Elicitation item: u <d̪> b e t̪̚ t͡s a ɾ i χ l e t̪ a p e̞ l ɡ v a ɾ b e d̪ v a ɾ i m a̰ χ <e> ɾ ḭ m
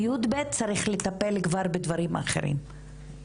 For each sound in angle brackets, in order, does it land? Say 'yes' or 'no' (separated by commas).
yes, yes